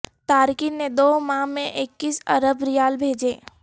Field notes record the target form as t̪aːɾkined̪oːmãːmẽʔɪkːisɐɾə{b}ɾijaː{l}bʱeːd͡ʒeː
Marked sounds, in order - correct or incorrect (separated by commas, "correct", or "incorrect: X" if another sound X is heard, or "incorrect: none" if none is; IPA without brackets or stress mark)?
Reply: correct, correct